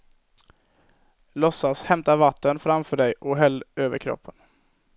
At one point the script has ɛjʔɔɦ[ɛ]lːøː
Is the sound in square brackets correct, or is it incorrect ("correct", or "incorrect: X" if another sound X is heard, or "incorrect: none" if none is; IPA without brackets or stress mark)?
correct